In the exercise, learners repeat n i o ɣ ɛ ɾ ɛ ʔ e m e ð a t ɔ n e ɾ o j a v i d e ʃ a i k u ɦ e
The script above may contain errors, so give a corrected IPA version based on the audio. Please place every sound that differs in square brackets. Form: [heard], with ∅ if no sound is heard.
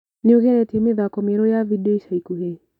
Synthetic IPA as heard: n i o ɣ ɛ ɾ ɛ [t] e m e ð a [k] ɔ [m] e ɾ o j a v i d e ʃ a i k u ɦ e